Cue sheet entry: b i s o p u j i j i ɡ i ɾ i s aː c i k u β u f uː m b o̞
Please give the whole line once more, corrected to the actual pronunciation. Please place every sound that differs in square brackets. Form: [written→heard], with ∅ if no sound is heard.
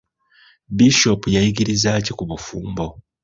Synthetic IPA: b i [s→ʃ] o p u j [i→a] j i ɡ i ɾ i [s→z] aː c i k u β u f uː m b o̞